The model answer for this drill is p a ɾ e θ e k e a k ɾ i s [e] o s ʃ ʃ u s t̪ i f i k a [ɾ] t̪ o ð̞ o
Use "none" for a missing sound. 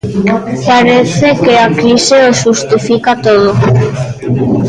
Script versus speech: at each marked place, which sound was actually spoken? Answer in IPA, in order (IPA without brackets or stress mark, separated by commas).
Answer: e, none